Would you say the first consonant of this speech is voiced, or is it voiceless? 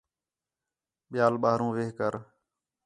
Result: voiced